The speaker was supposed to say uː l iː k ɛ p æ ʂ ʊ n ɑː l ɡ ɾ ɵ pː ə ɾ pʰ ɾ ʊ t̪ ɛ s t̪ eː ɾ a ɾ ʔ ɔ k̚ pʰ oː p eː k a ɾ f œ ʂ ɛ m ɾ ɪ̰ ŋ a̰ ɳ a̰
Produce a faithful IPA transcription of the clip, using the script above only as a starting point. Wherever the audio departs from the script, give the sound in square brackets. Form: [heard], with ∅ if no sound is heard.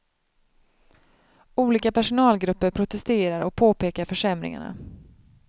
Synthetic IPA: uː l iː k [a] p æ ʂ ʊ n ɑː l ɡ ɾ ɵ pː ə ɾ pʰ ɾ ʊ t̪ ɛ s t̪ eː ɾ a ɾ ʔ ɔ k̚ pʰ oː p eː k a ɾ f œ ʂ ɛ m ɾ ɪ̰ ŋ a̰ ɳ a̰